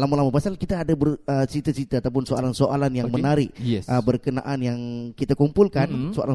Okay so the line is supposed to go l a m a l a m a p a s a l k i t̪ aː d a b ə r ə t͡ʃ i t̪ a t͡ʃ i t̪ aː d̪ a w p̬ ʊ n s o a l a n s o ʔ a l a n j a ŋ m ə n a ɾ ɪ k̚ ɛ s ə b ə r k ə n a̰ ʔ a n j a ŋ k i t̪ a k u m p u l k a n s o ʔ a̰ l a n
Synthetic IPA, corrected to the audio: l a m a l a m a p a s a l k i t̪ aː d a b ə r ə t͡ʃ i t̪ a t͡ʃ i t̪ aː t̪ a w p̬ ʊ n s o a l a n s o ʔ a l a n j a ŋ m ə n a ɾ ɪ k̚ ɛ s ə b ə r k ə n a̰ ʔ a n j a ŋ k i t̪ a k u m p u l k a n s o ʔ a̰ l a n